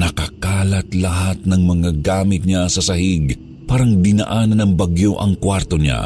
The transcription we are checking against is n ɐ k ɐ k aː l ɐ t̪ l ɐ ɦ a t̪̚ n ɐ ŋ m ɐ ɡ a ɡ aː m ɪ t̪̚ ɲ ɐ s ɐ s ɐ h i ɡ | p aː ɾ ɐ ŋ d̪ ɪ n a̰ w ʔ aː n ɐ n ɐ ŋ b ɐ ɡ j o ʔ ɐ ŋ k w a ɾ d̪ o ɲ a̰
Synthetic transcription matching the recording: n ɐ k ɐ k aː l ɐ t̪ l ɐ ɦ a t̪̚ n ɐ ŋ m ɐ ŋ a ɡ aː m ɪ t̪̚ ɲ a s ɐ s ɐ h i ɡ | p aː ɾ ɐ ŋ d̪ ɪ n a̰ ʔ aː n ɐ n ɐ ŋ b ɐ ɡ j o ʔ ɐ ŋ k w a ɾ t̪ o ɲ a̰